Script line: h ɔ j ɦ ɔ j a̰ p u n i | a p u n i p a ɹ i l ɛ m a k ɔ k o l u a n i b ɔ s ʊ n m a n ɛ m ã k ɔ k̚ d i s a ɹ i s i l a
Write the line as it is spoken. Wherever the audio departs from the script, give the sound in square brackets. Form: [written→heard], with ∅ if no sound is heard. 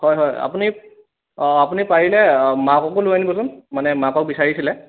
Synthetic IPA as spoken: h ɔ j ɦ ɔ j a̰ p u n i | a p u n i p a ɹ i l ɛ m a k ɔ k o l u a n i b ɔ s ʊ n m a n ɛ m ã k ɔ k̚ [d→b] i s a ɹ i s i l [a→ɛ]

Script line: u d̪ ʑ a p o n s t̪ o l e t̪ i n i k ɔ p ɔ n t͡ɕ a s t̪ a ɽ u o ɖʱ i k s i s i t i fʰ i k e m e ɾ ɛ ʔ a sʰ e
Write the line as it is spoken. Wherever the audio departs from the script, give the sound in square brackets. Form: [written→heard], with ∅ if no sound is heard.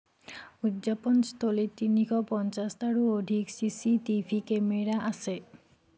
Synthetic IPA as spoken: u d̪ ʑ a p o n s t̪ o l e t̪ i n i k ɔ p ɔ n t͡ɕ a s t̪ a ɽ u o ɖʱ i k s i s i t i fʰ i k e m e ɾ [ɛ→a] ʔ a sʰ e

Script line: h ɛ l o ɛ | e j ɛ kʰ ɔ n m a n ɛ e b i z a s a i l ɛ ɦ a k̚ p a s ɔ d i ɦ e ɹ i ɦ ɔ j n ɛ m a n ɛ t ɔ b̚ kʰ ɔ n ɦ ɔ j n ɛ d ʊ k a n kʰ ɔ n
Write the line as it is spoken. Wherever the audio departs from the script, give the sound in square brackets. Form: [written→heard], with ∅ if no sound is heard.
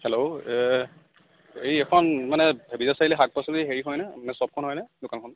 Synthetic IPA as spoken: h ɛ l o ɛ | e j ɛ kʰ ɔ n m a n ɛ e b i z a s a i l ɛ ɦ a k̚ p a s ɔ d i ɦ e ɹ i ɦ ɔ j n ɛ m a n ɛ [t→s] ɔ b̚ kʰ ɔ n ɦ ɔ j n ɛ d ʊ k a n kʰ ɔ n

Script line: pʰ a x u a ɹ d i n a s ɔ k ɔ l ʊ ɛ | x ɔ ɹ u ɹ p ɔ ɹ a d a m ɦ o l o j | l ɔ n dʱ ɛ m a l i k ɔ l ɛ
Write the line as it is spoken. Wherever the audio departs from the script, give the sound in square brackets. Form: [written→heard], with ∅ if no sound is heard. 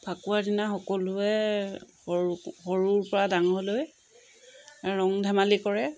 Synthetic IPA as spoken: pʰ a [x→k] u a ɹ d i n a [s→x] ɔ k ɔ l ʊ ɛ | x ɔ ɹ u ɹ p ɔ ɹ a d a [m→ŋ] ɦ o l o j | [l→ɹ] ɔ [n→ŋ] dʱ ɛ m a l i k ɔ [l→ɹ] ɛ

